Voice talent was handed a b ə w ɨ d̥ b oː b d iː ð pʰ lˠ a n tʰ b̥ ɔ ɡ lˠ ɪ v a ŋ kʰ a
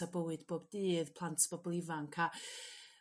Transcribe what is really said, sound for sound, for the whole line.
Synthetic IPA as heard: a b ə w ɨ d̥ b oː b d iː ð pʰ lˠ a n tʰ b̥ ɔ b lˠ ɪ v a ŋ kʰ a